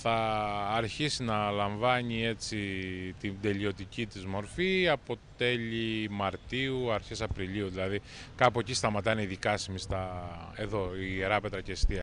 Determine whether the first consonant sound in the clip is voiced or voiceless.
voiceless